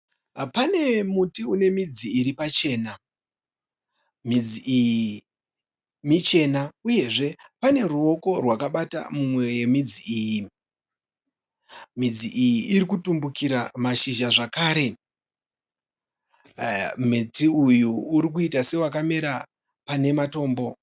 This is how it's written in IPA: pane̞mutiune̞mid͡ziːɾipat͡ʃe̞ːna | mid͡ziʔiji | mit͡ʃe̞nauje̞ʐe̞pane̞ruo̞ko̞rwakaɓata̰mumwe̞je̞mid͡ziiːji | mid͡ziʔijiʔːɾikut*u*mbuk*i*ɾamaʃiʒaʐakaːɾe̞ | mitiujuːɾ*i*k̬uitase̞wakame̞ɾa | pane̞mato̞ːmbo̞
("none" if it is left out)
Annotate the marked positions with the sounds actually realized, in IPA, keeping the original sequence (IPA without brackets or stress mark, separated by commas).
u, i, i